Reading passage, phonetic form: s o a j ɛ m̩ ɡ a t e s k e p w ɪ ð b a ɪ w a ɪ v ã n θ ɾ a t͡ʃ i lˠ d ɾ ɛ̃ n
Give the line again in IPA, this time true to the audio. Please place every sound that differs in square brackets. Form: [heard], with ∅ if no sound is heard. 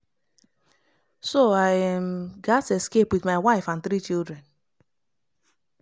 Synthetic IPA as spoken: s o a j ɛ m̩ ɡ a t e s k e p w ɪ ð [m] a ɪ w a ɪ [f] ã n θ ɾ [i] t͡ʃ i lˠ d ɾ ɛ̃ n

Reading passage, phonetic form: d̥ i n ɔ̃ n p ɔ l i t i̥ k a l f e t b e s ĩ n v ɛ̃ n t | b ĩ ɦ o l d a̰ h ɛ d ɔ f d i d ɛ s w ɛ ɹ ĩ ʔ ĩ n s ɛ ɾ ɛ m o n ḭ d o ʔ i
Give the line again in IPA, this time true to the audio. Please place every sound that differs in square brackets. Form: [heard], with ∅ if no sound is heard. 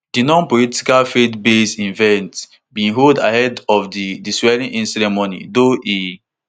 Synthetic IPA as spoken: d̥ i n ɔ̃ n p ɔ l i t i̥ k a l f e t b e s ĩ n v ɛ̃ n t | b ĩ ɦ o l d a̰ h ɛ d ɔ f d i d [i] s w ɛ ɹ ĩ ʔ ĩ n s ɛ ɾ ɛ m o n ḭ d o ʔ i

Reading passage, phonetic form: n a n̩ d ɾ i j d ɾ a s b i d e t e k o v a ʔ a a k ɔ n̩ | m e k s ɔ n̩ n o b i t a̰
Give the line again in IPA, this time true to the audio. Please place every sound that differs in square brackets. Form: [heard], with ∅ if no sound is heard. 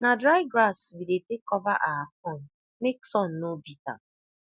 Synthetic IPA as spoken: n a [∅] d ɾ [a] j [ɡ] ɾ a s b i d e t e k [ɔ] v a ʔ a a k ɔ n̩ | m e k s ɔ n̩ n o b i t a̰

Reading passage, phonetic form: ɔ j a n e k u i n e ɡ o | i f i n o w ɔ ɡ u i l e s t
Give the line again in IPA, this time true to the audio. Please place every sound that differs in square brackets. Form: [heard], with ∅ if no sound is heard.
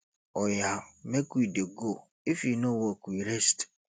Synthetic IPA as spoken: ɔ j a [m] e k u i [d] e ɡ o | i f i n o w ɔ [k] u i [ɾ] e s t

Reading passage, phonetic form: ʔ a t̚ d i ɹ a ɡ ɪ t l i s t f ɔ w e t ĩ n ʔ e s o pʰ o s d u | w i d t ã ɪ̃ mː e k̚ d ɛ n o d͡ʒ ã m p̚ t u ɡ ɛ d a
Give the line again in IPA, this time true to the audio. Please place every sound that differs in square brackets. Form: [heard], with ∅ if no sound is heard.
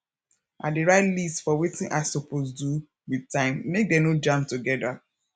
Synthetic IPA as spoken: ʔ a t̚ d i ɹ a [∅] ɪ t l i s t f ɔ w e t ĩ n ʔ [a] s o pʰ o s d u | w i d t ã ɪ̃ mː e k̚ d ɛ n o d͡ʒ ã m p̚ t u ɡ ɛ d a

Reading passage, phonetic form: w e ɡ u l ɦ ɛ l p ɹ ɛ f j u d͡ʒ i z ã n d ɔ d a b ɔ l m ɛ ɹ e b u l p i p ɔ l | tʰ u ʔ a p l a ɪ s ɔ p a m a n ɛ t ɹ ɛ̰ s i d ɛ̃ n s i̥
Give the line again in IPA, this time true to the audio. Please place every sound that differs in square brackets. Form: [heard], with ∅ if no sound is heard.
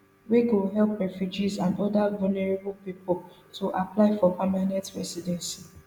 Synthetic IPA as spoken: w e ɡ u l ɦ ɛ l p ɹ ɛ f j u d͡ʒ i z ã n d ɔ d a [v] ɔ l [n] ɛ ɹ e b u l p i p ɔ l | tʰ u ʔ a p l a ɪ [f] ɔ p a m a n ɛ t ɹ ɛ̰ s i d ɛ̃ n s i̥

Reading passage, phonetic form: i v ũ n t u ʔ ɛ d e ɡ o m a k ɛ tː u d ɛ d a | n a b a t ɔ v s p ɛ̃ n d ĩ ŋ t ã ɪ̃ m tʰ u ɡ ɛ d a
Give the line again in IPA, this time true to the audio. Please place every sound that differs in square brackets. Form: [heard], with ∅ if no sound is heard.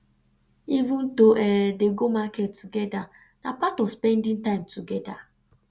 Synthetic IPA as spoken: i v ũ n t [o] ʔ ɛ d e ɡ o m a k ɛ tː u [ɡ] ɛ d a | n a [p] a t ɔ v s p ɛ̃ n d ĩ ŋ t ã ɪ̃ m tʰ u ɡ ɛ d a

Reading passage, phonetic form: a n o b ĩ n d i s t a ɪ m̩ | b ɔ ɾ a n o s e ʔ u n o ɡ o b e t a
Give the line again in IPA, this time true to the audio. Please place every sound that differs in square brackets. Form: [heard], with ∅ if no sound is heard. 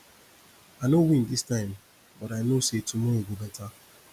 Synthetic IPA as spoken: a n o [w] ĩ n d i s t a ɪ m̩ | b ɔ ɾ a n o s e [t] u [m] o ɡ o b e t a

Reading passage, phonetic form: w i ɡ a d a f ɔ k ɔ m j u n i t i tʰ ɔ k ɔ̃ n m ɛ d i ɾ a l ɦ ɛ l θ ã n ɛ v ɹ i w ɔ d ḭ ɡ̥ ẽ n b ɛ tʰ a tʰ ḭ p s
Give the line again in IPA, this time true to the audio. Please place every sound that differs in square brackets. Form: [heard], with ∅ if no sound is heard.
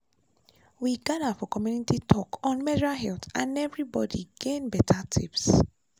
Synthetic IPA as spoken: w i ɡ a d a f ɔ k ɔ m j u n i t i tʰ ɔ k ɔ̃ n m ɛ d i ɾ a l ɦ ɛ l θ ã n ɛ v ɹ i [b] ɔ d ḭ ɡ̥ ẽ n b ɛ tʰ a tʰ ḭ p s

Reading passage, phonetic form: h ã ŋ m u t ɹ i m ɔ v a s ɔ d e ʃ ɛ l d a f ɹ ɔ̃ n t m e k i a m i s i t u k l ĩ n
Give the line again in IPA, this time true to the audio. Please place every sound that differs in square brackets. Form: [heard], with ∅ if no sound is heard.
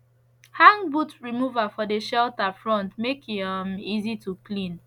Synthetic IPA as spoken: h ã ŋ [b] u t ɹ i m [u] v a [f] ɔ d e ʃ ɛ l [t] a f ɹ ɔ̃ n t m e k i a m i [z] i t u k l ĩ n

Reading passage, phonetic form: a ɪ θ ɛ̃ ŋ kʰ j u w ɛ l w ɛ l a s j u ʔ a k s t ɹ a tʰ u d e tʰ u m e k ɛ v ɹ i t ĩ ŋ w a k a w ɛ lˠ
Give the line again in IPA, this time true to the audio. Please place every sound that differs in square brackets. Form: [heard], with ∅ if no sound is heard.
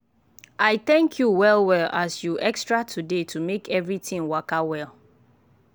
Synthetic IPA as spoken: a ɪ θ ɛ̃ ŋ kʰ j u w ɛ l w ɛ l a s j u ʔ [ɛ] k s t ɹ a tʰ u d e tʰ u m e k ɛ v ɹ i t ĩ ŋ w a k a w ɛ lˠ

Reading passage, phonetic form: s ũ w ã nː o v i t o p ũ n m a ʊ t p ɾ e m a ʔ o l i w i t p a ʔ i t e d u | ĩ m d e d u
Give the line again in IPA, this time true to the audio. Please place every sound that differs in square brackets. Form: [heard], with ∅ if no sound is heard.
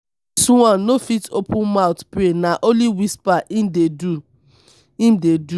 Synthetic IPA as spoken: s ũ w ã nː o [f] i t o p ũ n m a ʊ t p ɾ e [n] a ʔ o l i w i [s] p a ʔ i [d] e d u | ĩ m d e d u

